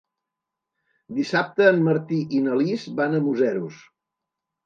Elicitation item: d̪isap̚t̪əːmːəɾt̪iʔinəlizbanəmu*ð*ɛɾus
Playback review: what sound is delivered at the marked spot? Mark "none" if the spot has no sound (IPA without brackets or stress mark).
z